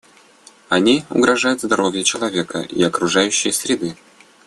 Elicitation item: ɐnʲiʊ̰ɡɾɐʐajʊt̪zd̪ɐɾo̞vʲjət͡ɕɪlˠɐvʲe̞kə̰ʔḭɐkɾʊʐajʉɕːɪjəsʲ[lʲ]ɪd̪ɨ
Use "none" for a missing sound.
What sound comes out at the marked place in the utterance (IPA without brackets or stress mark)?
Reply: ɾʲ